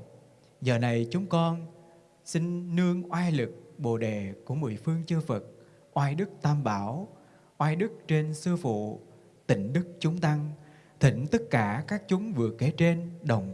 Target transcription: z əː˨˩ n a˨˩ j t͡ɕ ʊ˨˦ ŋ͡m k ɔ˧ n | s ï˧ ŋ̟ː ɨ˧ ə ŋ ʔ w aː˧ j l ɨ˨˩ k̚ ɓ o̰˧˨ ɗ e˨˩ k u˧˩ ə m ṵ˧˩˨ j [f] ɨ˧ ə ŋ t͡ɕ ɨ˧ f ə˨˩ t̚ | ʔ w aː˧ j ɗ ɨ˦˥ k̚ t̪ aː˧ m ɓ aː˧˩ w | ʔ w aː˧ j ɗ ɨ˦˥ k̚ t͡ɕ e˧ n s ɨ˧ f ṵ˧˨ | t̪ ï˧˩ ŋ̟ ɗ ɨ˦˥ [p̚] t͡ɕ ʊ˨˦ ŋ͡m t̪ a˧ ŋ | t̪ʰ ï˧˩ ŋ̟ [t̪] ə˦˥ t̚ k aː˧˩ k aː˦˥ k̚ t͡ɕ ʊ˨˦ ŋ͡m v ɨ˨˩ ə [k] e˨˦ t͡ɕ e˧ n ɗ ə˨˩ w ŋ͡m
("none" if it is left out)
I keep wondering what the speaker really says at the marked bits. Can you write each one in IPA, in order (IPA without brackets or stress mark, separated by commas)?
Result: f, k̚, t̪, k